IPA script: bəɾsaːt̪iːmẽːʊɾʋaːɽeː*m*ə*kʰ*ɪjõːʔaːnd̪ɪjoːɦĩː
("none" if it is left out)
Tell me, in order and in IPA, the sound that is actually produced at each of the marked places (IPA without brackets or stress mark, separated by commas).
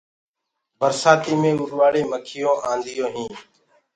m, kʰ